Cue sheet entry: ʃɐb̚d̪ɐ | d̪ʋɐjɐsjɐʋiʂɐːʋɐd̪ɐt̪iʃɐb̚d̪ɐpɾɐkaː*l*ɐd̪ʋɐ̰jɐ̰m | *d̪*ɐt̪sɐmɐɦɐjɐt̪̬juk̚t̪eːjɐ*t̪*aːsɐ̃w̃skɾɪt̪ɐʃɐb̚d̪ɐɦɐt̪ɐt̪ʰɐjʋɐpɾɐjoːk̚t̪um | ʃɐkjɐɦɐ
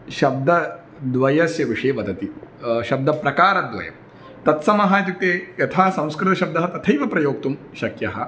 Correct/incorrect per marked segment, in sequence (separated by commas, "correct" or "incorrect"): incorrect, incorrect, incorrect